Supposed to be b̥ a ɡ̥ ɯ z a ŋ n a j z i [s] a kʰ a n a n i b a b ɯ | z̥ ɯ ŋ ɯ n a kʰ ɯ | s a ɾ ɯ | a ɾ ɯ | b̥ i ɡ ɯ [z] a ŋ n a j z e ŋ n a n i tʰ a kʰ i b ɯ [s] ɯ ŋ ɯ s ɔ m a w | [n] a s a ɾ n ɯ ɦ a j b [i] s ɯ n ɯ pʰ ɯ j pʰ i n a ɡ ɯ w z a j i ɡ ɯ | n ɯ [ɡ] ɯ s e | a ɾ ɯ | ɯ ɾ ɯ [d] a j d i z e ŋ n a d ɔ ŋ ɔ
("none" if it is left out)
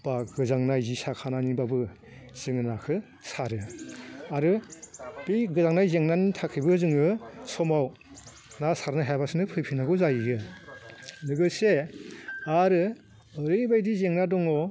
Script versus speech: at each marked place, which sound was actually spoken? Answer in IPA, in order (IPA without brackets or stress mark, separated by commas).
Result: s, z, z, n, a, ɡ, b